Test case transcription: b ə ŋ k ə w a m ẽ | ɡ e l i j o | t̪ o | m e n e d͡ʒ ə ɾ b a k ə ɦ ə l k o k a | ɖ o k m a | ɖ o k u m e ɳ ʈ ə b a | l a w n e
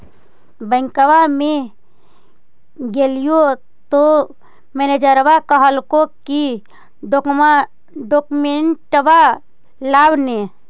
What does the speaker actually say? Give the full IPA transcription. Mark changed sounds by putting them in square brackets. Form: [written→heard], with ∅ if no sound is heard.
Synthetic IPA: b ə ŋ k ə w a m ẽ | ɡ e l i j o | t̪ o | m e n e d͡ʒ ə ɾ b a k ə ɦ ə l k o k [a→i] | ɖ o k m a | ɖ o k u m e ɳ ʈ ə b a | l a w n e